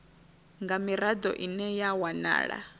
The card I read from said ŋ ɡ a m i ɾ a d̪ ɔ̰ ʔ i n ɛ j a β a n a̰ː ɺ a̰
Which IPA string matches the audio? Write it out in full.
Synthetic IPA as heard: ŋ ɡ a m i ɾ a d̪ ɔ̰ ʔ i n ɛ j a w a n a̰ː ɺ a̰